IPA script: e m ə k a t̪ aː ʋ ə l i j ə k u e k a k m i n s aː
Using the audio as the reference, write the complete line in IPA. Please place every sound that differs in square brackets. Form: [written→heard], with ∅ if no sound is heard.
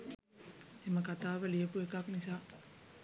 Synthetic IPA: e m ə k a t̪ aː ʋ ə l i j ə [k→p] u e k a k [m→n] i [n→∅] s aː